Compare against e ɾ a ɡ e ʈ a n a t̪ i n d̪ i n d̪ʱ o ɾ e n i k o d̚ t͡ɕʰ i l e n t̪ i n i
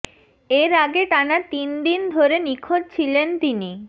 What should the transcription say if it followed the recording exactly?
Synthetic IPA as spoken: e ɾ a ɡ e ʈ a n a t̪ i n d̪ i n d̪ʱ o ɾ e n i kʰ o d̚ t͡ɕʰ i l e n t̪ i n i